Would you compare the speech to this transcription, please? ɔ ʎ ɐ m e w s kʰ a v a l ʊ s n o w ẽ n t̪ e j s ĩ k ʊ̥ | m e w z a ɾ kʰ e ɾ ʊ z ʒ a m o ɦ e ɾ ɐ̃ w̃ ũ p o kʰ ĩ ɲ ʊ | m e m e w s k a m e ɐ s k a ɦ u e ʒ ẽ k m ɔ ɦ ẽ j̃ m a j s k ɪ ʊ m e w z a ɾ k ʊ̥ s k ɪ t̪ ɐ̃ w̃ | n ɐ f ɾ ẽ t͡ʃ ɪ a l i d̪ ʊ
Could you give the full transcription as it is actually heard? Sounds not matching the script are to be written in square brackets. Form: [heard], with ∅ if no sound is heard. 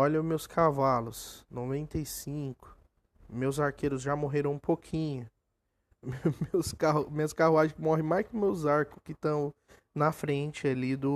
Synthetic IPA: ɔ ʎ ɐ m e w s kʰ a v a l ʊ s n o [v] ẽ n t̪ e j s ĩ k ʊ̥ | m e w z a ɾ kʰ e ɾ ʊ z ʒ a m o ɦ e ɾ ɐ̃ w̃ ũ p o kʰ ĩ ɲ ʊ | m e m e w s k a m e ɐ s k a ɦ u [a] ʒ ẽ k m ɔ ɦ ẽ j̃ m a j s k ɪ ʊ m e w z a ɾ k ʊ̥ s k ɪ t̪ ɐ̃ w̃ | n ɐ f ɾ ẽ t͡ʃ ɪ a l i d̪ ʊ